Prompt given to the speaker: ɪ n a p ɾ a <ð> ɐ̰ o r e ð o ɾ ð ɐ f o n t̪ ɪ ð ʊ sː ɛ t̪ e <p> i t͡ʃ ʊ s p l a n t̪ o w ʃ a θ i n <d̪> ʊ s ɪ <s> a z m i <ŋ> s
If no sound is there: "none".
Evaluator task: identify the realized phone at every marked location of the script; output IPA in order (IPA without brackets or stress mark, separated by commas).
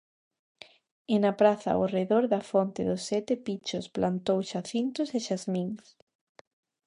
θ, p, t̪, ʃ, ŋ